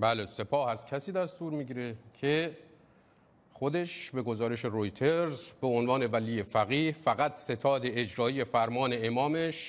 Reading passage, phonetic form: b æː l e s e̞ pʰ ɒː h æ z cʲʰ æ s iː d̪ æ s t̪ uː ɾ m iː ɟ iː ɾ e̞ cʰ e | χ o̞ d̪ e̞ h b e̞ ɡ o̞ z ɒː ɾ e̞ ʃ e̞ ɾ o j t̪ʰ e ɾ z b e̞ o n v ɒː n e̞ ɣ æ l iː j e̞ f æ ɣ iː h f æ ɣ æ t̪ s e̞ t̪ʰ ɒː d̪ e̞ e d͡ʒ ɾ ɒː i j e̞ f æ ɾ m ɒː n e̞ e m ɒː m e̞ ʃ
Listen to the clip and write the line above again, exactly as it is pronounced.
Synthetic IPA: b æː l e s e̞ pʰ ɒː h æ z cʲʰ æ s iː d̪ æ s t̪ uː ɾ m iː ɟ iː ɾ e̞ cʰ e | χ o̞ d̪ e̞ ʃ b e̞ ɡ o̞ z ɒː ɾ e̞ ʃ e̞ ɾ o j t̪ʰ e ɾ z b e̞ o n v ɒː n e̞ v æ l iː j e̞ f æ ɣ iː h f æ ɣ æ t̪ s e̞ t̪ʰ ɒː d̪ e̞ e d͡ʒ ɾ ɒː i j e̞ f æ ɾ m ɒː n e̞ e m ɒː m e̞ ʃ